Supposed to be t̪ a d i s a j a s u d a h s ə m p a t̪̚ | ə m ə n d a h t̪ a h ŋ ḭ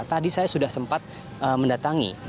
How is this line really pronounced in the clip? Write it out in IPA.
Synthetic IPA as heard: t̪ a d i s a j a s u d a h s ə m p a t̪̚ | ə m ə n d a t̪ a ŋ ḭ